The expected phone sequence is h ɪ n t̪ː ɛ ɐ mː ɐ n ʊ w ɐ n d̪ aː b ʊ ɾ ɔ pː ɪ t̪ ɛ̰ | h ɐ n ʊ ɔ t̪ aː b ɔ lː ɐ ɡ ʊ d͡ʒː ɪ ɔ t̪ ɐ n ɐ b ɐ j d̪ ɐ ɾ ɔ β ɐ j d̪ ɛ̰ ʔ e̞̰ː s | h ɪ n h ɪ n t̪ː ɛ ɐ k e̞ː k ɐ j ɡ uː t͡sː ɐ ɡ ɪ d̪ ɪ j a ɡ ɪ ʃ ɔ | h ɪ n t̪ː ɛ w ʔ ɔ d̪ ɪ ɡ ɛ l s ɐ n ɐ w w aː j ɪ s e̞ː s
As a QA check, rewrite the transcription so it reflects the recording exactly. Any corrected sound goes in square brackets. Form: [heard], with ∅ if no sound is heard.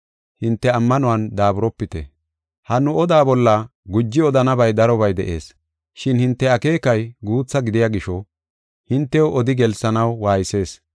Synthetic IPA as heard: h ɪ n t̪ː ɛ ɐ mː ɐ n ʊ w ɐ n d̪ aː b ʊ ɾ ɔ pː ɪ t̪ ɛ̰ | h ɐ n ʊ ɔ [d̪] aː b ɔ lː ɐ ɡ ʊ d͡ʒː ɪ ɔ [d̪] ɐ n ɐ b ɐ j d̪ ɐ ɾ ɔ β ɐ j d̪ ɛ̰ ʔ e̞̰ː s | [ʃ] ɪ n h ɪ n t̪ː ɛ ɐ k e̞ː k ɐ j ɡ uː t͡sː ɐ ɡ ɪ d̪ ɪ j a ɡ ɪ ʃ ɔ | h ɪ n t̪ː ɛ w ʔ ɔ d̪ ɪ ɡ ɛ l s ɐ n ɐ w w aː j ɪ s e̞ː s